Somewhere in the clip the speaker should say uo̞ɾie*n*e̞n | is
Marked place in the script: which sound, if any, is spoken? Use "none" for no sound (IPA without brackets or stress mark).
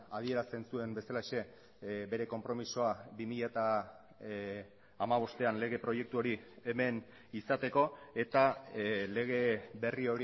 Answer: m